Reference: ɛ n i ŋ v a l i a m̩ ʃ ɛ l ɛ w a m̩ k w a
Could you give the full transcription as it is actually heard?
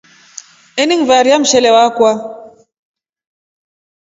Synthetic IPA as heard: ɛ n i ŋ v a ɾ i a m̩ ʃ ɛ l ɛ w a k w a